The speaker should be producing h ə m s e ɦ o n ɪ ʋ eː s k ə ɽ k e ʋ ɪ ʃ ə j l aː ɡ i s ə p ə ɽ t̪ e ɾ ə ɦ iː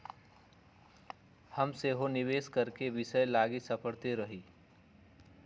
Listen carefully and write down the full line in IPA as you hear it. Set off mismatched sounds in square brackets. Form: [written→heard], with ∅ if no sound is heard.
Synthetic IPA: h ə m s e ɦ o n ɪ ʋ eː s k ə [ɽ→ɾ] k e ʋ ɪ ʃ ə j l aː ɡ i s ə p ə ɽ t̪ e ɾ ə ɦ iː